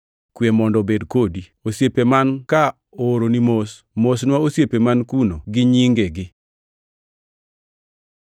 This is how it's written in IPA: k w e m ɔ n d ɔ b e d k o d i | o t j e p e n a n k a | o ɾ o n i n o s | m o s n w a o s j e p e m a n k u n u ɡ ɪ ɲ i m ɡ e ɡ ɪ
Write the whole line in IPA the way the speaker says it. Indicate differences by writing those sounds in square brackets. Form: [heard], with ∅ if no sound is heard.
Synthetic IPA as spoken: k w e m ɔ n d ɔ b e d k o d i | o [s] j e p e [m] a n k a | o ɾ o n i [m] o s | m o s n w a o s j e p e m a n k u n [o] ɡ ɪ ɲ i [ŋ] ɡ e ɡ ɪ